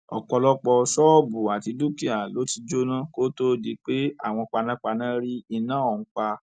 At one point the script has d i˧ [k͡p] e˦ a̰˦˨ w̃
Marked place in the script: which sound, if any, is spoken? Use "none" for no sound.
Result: k͡p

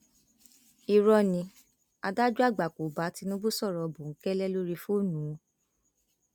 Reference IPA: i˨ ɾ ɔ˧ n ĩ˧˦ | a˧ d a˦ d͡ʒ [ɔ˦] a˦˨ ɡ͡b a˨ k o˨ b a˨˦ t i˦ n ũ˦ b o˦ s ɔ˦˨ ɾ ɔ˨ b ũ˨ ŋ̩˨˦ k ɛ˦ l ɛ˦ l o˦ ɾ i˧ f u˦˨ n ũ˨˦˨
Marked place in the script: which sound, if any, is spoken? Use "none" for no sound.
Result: u˦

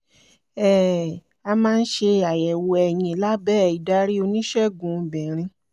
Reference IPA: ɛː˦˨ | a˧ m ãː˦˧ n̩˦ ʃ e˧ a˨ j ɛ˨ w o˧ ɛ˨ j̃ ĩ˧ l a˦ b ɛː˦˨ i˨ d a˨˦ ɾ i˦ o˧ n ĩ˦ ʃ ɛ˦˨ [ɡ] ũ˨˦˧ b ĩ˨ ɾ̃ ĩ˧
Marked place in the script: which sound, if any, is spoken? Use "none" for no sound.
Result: ɡ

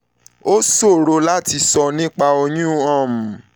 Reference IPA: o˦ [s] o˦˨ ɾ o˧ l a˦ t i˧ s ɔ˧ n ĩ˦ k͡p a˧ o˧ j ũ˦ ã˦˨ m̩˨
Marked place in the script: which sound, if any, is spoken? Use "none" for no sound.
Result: s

